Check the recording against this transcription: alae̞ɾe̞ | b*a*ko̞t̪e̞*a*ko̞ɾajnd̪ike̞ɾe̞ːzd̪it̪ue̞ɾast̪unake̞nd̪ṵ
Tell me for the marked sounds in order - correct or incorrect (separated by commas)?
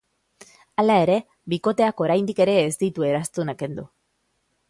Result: incorrect, correct